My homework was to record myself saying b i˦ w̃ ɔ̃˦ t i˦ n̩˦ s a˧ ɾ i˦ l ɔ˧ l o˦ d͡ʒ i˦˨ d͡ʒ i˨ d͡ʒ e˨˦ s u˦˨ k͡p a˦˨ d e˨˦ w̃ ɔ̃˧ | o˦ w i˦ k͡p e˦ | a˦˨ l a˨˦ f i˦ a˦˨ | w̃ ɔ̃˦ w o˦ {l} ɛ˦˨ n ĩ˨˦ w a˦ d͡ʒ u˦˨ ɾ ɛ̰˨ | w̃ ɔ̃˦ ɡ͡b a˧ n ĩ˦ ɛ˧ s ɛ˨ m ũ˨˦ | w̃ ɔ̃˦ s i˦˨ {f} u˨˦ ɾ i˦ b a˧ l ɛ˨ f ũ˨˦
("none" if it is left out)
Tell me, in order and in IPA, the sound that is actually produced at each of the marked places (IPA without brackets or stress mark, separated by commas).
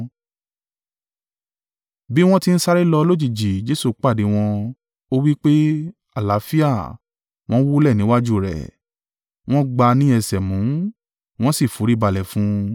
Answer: l, f